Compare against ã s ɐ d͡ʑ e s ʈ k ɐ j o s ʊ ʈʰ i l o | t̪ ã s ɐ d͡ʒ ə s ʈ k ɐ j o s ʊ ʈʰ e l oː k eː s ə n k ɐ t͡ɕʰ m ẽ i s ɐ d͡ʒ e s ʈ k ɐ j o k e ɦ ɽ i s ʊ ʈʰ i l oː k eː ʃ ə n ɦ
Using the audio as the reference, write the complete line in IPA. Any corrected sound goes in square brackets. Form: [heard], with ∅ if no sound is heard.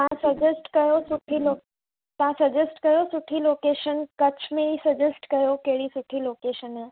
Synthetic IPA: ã s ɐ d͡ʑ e s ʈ k ɐ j o s ʊ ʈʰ i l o | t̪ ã s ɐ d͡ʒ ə s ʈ k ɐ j o s ʊ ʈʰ [i] l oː k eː [ʃ] ə n k ɐ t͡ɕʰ m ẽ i s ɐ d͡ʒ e s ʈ k ɐ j o k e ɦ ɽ i s ʊ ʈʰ i l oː k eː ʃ ə n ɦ

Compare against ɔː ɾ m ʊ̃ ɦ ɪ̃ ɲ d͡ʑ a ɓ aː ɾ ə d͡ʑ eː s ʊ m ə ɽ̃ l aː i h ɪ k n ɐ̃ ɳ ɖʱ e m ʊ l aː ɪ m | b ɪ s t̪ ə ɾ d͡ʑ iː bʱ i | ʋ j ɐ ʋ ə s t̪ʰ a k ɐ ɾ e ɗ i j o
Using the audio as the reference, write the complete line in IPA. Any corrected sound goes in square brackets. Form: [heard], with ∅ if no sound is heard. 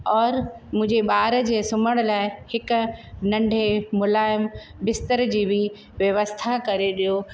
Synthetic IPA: ɔː ɾ m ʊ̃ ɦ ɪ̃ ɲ d͡ʑ [e] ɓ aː ɾ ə d͡ʑ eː s ʊ m ə ɽ̃ l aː [ɪ] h ɪ k n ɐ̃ ɳ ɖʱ e m ʊ l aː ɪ m | b ɪ s t̪ ə ɾ d͡ʑ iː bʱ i | ʋ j ɐ ʋ ə s t̪ʰ a k ɐ ɾ e ɗ i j o

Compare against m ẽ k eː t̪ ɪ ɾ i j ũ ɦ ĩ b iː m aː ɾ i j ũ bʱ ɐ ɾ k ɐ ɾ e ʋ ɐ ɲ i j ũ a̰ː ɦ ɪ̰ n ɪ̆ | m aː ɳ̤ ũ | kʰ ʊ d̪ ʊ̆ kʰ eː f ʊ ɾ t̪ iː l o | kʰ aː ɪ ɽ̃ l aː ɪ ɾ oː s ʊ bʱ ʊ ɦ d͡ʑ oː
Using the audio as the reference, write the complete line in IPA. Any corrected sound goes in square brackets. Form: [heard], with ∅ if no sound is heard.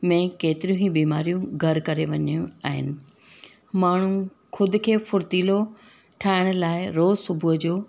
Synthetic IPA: m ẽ k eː t̪ ɪ ɾ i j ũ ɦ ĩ b iː m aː ɾ i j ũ [ɡʱ] ɐ ɾ k ɐ ɾ e ʋ ɐ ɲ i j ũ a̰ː ɦ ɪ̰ n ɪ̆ | m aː ɳ̤ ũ | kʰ ʊ d̪ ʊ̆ kʰ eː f ʊ ɾ t̪ iː l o | [ʈʰ] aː ɪ ɽ̃ l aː ɪ ɾ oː s ʊ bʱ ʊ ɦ d͡ʑ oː

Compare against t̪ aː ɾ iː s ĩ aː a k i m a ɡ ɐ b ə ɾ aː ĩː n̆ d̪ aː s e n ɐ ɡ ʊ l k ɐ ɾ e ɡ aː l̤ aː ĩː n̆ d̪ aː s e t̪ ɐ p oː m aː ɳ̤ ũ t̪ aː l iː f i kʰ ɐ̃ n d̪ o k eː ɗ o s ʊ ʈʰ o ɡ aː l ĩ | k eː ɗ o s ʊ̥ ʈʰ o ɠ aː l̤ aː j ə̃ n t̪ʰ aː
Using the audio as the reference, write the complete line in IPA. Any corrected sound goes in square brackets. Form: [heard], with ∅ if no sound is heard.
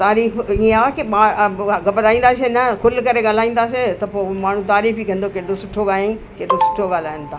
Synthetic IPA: t̪ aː ɾ iː [f] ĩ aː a k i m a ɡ ɐ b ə ɾ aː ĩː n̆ d̪ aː s e n ɐ [k] ʊ l k ɐ ɾ e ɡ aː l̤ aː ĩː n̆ d̪ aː s e t̪ ɐ p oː m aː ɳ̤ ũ t̪ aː [ɾ] iː f i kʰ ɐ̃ n d̪ o k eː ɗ o s ʊ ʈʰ o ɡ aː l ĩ | k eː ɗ o s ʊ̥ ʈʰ o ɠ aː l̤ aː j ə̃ n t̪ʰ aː

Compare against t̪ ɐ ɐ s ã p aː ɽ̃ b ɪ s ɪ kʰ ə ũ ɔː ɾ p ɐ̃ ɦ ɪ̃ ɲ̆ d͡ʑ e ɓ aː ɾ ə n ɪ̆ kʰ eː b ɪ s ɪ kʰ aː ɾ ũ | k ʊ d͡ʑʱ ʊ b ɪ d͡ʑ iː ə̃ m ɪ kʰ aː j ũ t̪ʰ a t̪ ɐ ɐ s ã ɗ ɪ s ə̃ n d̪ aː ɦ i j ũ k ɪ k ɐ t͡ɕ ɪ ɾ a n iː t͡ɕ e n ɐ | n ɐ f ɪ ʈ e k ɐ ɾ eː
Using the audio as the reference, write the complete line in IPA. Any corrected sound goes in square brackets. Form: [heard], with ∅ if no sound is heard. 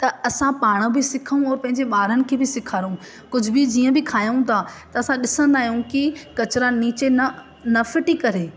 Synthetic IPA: t̪ ɐ ɐ s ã p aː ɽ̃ b ɪ s ɪ kʰ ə ũ ɔː ɾ p ɐ̃ ɦ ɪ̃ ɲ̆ d͡ʑ e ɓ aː ɾ ə n ɪ̆ kʰ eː b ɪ s ɪ kʰ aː ɾ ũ | k ʊ d͡ʑʱ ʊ b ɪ d͡ʑ iː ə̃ [b] ɪ kʰ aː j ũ t̪ʰ a t̪ ɐ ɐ s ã ɗ ɪ s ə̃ n d̪ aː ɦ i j ũ k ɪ k ɐ t͡ɕ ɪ ɾ a n iː t͡ɕ e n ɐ | n ɐ f ɪ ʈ [i] k ɐ ɾ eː

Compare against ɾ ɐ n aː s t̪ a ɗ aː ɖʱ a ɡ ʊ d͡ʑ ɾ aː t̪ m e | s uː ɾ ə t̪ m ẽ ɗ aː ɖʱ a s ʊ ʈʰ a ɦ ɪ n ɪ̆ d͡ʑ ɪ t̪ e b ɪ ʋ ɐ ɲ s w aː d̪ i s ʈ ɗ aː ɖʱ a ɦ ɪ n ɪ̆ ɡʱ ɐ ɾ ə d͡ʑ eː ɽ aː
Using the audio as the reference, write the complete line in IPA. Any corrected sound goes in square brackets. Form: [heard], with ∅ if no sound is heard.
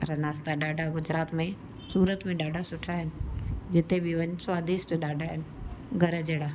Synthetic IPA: ɾ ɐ n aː s t̪ a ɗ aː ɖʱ a ɡ ʊ d͡ʑ ɾ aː t̪ m [ẽ] | s uː ɾ ə t̪ m ẽ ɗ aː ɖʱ a s ʊ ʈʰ a ɦ ɪ n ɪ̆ d͡ʑ ɪ t̪ e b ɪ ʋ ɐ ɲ s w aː d̪ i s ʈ ɗ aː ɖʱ a ɦ ɪ n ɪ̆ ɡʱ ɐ ɾ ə d͡ʑ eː ɽ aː

